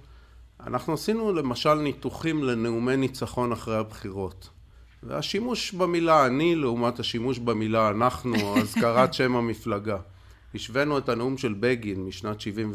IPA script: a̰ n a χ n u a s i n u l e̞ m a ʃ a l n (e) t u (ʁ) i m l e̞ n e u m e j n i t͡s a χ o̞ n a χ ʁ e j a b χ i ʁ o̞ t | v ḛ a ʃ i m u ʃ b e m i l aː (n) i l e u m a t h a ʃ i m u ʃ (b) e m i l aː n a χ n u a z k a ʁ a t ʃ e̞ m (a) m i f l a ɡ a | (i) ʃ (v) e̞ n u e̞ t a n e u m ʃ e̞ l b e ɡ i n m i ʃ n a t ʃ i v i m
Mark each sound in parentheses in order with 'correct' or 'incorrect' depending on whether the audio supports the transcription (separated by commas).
incorrect, incorrect, correct, correct, correct, correct, correct